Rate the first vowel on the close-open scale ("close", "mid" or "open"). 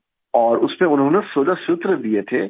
mid